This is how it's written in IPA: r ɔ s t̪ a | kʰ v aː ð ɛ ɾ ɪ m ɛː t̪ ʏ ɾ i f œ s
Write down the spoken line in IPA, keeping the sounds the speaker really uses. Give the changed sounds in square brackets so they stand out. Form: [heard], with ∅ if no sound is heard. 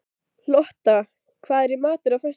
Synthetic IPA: [l] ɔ [h] t̪ a | kʰ v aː ð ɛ ɾ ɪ m [aː] t̪ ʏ ɾ [a] f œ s